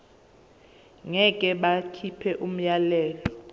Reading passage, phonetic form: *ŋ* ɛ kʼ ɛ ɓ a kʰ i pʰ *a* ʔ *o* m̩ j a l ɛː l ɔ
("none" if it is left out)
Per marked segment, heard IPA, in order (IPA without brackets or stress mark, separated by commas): ŋ, ɛ, u